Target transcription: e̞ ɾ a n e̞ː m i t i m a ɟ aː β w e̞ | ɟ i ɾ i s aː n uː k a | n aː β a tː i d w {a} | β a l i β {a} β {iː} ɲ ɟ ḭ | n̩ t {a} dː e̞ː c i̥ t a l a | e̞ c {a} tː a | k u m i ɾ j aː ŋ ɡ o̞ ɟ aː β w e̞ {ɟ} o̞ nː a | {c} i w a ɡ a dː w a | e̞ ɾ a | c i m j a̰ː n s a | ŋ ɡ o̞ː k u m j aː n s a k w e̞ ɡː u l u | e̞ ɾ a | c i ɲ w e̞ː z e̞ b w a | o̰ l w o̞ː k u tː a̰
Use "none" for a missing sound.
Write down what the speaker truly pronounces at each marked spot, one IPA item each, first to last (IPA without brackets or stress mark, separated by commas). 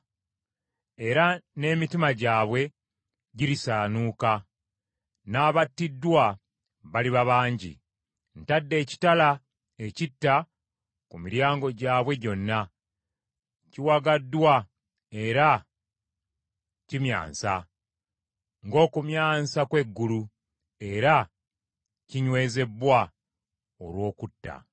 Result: a, a, aː, a, i, ɟ, c